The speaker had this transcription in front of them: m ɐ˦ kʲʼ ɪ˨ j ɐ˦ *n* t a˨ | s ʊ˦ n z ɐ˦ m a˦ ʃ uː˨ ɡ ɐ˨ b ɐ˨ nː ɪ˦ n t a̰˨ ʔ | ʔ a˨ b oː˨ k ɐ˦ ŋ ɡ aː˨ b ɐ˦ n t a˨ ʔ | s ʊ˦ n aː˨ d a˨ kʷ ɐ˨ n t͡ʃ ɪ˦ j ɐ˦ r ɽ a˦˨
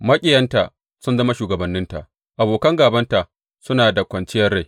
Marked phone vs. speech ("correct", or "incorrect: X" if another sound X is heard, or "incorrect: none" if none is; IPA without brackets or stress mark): correct